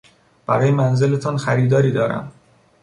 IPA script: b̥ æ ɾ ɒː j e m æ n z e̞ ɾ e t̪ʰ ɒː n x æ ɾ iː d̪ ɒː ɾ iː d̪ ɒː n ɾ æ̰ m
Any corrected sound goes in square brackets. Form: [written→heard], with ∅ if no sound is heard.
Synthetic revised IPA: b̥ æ ɾ ɒː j e m æ n z e̞ [ɾ→l] e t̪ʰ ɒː n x æ ɾ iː d̪ ɒː ɾ iː d̪ ɒː [n→∅] ɾ æ̰ m